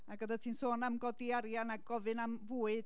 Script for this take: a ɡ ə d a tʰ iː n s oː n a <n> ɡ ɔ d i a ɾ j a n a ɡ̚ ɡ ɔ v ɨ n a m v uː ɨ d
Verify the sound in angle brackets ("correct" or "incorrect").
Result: incorrect